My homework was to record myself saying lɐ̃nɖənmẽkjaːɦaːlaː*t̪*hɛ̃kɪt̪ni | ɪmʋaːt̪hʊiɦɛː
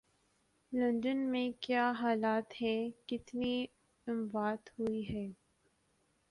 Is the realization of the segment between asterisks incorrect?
no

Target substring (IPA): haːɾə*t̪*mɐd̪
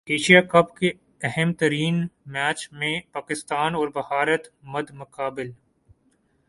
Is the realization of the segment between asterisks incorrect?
no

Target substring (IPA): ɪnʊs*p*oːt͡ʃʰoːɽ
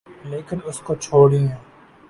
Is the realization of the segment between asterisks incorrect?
yes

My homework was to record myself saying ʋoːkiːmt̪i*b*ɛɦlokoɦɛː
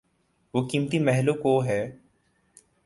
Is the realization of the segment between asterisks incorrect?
yes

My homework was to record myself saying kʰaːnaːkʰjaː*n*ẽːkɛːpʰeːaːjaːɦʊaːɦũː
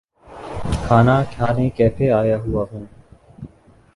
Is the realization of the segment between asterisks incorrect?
no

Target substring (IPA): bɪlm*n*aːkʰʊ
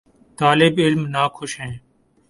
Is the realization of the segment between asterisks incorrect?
no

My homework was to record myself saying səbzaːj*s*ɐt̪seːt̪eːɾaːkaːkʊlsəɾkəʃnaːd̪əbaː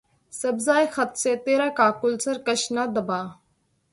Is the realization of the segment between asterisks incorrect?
yes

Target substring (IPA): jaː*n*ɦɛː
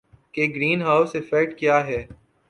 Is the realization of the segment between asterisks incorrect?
yes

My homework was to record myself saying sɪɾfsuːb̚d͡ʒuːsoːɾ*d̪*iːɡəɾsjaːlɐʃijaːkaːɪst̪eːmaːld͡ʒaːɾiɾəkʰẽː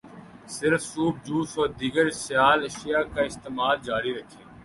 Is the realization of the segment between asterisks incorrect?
no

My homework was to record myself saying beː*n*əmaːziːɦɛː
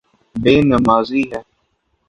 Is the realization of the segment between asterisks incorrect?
no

